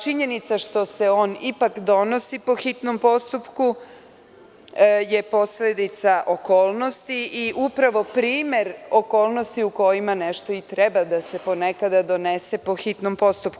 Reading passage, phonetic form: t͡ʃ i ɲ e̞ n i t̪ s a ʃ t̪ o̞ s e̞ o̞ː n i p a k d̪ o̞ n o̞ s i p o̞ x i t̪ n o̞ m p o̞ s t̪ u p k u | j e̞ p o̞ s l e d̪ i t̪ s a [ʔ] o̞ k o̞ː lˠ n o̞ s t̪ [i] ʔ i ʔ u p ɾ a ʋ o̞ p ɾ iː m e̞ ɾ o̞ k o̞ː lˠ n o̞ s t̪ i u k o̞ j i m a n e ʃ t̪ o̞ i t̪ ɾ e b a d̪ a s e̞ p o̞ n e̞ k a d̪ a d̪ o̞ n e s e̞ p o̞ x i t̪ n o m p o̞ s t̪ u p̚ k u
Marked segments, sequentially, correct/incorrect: correct, correct

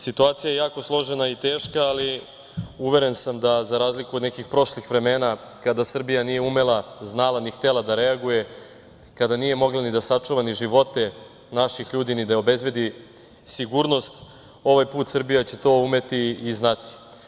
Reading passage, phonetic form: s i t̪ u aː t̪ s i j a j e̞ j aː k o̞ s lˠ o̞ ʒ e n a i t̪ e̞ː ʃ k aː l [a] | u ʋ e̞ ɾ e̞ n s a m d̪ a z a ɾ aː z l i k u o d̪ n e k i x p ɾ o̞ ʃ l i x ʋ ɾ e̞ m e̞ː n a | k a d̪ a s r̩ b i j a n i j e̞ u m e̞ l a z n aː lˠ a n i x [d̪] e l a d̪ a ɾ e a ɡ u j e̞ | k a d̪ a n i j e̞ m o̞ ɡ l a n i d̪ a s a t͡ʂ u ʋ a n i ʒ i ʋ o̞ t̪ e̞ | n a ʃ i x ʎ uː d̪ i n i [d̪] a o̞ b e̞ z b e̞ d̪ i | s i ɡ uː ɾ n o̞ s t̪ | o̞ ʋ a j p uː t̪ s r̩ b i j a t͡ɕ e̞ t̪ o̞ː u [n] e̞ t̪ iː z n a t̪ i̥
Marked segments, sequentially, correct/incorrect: incorrect: i, incorrect: t̪, correct, incorrect: m

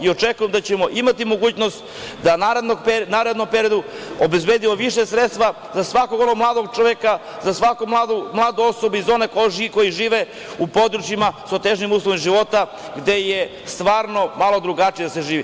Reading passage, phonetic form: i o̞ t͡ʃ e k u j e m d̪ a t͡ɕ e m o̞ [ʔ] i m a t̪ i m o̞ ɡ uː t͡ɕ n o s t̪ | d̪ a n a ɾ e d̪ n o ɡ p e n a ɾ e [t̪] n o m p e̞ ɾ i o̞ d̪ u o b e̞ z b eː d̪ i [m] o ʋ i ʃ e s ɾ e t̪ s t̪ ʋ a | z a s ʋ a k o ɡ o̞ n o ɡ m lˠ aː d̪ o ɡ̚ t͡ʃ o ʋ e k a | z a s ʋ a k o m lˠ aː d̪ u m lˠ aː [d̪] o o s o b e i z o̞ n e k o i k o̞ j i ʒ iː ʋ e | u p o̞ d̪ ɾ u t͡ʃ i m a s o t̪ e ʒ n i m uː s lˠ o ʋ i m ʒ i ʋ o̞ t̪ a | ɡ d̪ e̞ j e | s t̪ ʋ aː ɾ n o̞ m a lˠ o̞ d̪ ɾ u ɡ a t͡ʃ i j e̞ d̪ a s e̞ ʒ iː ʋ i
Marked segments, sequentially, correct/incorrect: correct, incorrect: d̪, correct, correct

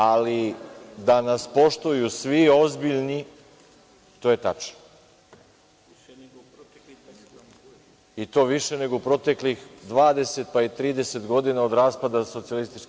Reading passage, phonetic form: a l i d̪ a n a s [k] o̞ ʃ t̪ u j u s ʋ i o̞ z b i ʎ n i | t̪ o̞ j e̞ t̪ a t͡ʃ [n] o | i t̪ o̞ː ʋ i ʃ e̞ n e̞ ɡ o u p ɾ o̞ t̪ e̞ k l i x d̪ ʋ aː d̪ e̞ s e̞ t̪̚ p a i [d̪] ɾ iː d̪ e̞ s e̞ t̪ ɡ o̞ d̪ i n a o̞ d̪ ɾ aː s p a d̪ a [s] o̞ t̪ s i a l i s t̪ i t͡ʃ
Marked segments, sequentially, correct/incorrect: incorrect: p, correct, incorrect: t̪, correct

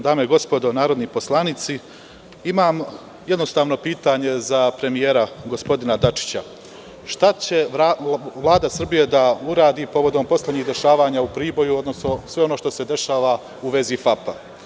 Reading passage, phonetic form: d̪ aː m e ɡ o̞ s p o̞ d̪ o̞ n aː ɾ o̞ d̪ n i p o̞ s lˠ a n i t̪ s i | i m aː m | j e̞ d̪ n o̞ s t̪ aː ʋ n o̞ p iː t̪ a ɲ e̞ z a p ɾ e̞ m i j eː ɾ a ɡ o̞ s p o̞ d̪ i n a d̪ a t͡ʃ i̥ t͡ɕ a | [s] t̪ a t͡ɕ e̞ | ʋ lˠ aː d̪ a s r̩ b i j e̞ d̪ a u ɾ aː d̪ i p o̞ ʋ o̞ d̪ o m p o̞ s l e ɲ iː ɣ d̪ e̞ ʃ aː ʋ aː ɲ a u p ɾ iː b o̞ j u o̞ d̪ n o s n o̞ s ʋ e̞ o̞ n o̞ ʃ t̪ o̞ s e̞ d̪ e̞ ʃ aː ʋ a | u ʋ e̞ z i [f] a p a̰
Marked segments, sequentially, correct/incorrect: incorrect: ʃ, correct

